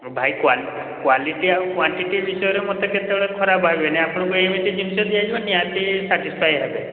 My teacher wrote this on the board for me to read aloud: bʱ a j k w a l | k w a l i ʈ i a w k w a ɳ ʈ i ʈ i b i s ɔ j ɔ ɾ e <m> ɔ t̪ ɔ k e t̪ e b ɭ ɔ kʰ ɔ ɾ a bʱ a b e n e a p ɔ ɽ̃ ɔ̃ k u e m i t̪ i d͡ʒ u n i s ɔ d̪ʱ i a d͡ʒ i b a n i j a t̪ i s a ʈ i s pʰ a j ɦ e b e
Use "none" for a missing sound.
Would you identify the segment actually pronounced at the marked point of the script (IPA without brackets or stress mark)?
m